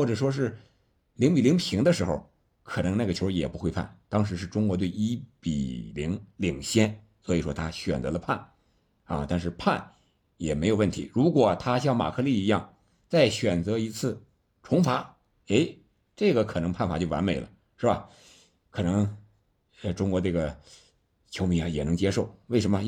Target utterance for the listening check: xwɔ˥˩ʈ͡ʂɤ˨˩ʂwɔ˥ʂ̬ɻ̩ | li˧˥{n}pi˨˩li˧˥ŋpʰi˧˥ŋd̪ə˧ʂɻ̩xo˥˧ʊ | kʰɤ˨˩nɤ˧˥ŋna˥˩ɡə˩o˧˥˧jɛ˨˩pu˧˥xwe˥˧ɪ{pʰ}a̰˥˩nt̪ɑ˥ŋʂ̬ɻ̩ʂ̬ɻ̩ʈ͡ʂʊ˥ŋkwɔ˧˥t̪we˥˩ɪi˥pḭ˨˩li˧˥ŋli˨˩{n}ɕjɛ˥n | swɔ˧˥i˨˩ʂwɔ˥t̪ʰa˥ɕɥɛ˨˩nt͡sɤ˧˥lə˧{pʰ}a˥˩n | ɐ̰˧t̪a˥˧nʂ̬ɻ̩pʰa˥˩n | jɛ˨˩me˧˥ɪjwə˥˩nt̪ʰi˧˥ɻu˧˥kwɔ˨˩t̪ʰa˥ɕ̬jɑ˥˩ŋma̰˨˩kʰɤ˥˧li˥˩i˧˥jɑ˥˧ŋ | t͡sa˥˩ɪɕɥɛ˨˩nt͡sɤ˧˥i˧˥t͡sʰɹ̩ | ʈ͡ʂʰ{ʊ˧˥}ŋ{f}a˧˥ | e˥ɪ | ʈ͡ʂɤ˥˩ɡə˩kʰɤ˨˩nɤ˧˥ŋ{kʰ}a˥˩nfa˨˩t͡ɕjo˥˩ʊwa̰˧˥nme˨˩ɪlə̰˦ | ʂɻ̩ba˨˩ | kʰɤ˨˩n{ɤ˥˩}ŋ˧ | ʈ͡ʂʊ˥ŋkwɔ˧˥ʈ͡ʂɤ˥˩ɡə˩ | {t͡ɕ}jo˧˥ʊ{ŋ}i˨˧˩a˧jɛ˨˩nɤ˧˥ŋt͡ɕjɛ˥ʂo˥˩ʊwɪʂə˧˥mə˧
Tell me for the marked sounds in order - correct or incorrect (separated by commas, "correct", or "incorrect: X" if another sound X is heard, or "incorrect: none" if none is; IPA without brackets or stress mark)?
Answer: incorrect: ŋ, correct, incorrect: ŋ, correct, correct, correct, incorrect: pʰ, incorrect: ɤ˧˥, incorrect: t͡ɕʰ, incorrect: m